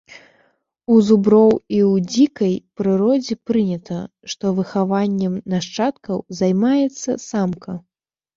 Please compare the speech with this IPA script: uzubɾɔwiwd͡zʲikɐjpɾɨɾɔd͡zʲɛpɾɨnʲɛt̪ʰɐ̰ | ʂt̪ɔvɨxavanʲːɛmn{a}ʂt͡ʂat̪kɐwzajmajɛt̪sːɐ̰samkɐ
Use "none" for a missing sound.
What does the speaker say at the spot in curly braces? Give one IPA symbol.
a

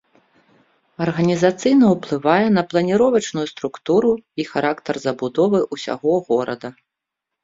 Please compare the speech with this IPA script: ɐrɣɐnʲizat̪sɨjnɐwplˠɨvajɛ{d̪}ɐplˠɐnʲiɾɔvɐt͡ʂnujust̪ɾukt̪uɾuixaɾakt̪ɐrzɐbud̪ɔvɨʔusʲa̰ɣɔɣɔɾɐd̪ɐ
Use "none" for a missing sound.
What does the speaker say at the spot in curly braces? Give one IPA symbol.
n̪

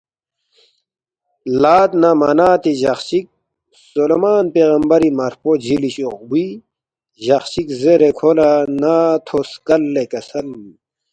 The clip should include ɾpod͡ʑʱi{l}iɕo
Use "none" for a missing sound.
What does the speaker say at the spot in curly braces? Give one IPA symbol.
l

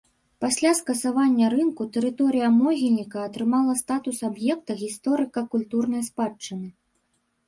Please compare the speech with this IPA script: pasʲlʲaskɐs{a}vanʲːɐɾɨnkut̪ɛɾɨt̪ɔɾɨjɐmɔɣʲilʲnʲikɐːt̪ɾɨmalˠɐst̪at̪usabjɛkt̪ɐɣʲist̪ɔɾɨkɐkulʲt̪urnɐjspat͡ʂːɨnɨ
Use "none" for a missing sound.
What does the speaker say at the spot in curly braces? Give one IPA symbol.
a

